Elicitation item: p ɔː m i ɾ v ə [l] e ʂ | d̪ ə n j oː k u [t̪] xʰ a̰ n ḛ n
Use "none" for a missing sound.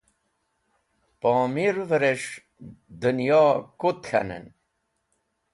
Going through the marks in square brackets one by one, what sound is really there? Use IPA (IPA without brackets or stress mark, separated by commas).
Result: ɾ, t̪